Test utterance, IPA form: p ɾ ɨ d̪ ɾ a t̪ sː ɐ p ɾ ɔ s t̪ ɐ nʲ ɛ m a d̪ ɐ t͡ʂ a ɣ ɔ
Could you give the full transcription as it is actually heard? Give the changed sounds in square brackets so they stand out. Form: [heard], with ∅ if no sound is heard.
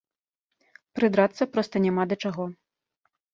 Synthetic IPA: p ɾ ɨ d̪ ɾ a t̪ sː ɐ p ɾ ɔ s t̪ ɐ nʲ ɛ m a d̪ ɐ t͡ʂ a ɣ ɔ

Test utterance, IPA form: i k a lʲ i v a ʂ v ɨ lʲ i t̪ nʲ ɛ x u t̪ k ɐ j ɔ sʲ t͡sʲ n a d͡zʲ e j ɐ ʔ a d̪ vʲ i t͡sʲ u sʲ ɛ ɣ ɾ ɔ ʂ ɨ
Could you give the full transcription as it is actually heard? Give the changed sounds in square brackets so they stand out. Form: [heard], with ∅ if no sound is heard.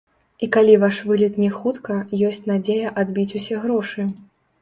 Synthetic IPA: i k a lʲ i v a ʂ v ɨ lʲ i t̪ nʲ ɛ x u t̪ k ɐ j ɔ sʲ t͡sʲ n a d͡zʲ e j ɐ ʔ a d̪ [bʲ] i t͡sʲ u sʲ ɛ ɣ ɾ ɔ ʂ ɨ

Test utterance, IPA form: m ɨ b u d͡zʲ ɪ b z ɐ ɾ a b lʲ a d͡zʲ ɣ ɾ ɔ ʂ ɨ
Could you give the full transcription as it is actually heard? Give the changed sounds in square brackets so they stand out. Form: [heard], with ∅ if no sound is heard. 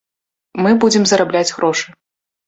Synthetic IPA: m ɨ b u d͡zʲ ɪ [m] z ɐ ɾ a b lʲ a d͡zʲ ɣ ɾ ɔ ʂ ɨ

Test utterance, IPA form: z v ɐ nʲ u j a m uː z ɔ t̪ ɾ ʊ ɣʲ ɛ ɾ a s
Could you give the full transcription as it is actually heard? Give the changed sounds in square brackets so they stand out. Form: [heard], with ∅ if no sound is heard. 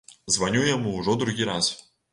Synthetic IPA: z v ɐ nʲ u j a m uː [ʐ] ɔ [d̪] ɾ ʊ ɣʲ [i] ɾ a s

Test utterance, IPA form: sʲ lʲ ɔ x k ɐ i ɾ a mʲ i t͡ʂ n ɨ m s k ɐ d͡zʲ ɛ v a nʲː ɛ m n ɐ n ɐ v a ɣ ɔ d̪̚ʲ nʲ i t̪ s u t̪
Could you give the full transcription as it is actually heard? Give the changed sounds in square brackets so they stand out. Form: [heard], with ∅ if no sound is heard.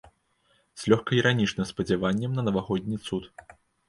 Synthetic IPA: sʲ lʲ ɔ x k ɐ i ɾ a [nʲ] i t͡ʂ n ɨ m s [p] ɐ d͡zʲ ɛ v a nʲː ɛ m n ɐ n ɐ v a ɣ ɔ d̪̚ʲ nʲ i t̪ s u t̪

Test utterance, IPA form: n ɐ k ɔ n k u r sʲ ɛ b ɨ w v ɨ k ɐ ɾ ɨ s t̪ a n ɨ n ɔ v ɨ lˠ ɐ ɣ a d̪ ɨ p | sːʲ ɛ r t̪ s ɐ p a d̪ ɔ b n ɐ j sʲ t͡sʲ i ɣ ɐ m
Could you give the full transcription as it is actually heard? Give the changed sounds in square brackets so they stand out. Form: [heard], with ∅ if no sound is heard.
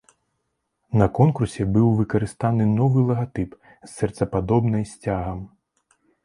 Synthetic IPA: n ɐ k ɔ n k u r sʲ ɛ b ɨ w v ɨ k ɐ ɾ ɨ s t̪ a n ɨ n ɔ v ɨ lˠ ɐ ɣ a [t̪] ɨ p | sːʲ ɛ r t̪ s ɐ p a d̪ ɔ b n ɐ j sʲ t͡sʲ [a] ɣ ɐ m

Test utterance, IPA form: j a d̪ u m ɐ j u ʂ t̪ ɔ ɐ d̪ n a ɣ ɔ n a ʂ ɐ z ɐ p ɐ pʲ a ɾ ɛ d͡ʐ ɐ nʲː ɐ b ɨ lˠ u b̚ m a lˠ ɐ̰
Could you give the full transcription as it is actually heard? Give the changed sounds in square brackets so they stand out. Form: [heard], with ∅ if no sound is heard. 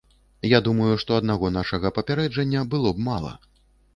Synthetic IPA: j a d̪ u m ɐ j u ʂ t̪ ɔ ɐ d̪ n a ɣ ɔ n a ʂ ɐ [ɣ] ɐ p ɐ pʲ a ɾ ɛ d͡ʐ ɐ nʲː ɐ b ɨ lˠ [ɔ] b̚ m a lˠ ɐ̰

